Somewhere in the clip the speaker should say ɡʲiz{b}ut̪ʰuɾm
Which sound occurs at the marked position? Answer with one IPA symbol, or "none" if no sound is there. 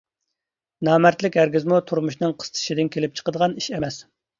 m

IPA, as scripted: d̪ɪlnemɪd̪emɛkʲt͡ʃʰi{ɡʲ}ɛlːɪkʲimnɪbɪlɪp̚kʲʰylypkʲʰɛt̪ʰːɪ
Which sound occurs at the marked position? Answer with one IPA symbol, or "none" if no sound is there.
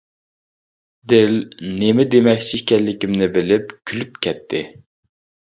kʲ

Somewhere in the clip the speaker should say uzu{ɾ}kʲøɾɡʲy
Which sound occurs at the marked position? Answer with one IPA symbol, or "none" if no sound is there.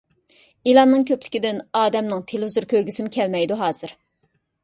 ɾ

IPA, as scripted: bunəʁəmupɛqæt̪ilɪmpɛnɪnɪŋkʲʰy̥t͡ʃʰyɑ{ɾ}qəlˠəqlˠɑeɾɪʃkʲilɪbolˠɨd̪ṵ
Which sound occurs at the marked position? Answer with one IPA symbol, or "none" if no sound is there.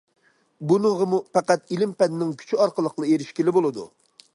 ɾ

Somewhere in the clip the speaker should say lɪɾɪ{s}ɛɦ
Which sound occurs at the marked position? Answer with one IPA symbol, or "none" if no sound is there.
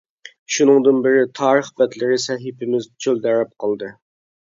s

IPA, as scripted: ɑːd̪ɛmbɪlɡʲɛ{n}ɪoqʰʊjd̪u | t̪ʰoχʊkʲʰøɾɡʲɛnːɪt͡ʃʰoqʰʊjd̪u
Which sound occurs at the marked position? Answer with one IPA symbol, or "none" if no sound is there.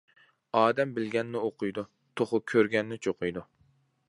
nː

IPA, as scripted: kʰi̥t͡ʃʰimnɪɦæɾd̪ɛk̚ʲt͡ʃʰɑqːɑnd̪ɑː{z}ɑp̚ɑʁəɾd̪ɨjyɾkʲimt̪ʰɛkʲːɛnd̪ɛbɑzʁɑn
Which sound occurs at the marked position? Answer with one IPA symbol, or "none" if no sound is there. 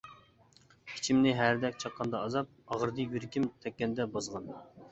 z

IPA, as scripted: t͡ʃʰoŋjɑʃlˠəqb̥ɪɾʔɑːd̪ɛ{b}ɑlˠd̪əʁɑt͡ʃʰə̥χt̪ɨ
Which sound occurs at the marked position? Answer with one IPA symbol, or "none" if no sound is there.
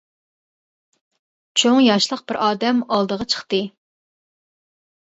m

